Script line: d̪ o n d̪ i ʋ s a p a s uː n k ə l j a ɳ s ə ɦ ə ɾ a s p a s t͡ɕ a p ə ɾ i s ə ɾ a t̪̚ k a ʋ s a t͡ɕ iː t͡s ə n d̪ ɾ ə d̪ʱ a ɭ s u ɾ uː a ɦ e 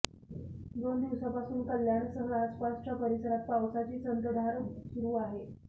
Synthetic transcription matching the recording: d̪ o n d̪ i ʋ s a p a s uː n k ə l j a ɳ s ə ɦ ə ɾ a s p a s t͡ɕ a p ə ɾ i s ə ɾ a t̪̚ p a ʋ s a t͡ɕ iː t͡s ə n d̪ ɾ ə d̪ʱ a ɾ s u ɾ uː a ɦ e

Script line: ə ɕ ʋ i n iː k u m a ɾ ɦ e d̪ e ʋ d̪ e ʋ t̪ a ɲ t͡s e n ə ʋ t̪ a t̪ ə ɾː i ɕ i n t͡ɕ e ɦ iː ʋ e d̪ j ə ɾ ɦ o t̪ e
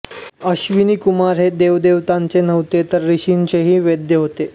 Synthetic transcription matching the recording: ə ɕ ʋ i n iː k u m a ɾ ɦ e d̪ e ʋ d̪ e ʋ t̪ a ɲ t͡s e n ə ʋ t̪ e t̪ ə ɾː i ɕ i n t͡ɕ e ɦ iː ʋ e d̪ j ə ɦ o t̪ e

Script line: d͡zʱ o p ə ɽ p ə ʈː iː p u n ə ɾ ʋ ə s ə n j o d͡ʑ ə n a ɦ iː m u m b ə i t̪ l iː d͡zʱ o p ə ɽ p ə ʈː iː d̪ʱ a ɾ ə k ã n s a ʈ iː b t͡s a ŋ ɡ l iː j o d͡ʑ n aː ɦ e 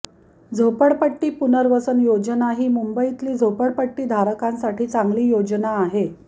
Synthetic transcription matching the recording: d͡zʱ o p ə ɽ p ə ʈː iː p u n ə ɾ ʋ ə s ə n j o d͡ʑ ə n a ɦ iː m u m b ə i t̪ l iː d͡zʱ o p ə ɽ p ə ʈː iː d̪ʱ a ɾ ə k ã n s a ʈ iː t͡s a ŋ ɡ l iː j o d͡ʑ n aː ɦ e

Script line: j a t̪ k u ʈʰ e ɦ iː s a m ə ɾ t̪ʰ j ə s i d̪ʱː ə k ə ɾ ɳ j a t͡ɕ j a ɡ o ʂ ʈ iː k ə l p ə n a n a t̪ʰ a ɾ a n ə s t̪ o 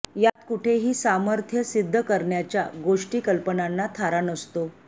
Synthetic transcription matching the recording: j a t̪ k u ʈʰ e ɦ iː s a m ə ɾ t̪ʰ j ə s i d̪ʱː ə k ə ɾ ɳ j a t͡ɕ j a ɡ o ʂ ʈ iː k ə l p ə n a nː a t̪ʰ a ɾ a n ə s t̪ o

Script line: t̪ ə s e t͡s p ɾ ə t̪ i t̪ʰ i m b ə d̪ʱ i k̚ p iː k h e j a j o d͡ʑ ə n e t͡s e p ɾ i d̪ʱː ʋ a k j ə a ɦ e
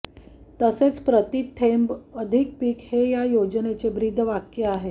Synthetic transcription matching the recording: t̪ ə s e t͡s p ɾ ə t̪ i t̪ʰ e m b ə d̪ʱ i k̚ p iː k h e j a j o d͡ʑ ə n e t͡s e b ɾ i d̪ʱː ʋ a k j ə a ɦ e

